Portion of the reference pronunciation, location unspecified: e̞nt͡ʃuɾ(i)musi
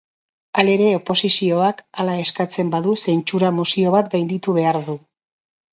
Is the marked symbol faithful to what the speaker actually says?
no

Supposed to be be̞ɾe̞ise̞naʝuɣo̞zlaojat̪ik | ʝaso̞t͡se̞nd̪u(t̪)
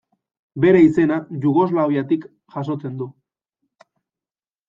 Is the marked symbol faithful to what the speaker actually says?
no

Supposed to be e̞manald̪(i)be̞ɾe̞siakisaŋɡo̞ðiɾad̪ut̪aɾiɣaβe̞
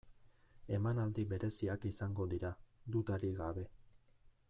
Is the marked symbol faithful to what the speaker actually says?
yes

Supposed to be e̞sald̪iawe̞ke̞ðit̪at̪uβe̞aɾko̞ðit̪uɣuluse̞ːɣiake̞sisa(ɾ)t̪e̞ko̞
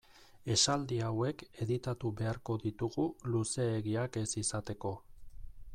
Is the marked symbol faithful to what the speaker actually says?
no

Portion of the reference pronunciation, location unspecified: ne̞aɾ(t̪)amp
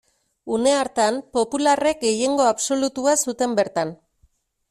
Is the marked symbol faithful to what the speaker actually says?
yes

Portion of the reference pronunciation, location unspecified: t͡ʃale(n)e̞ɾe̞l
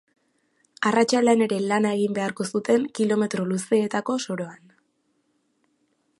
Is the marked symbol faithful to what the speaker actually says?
yes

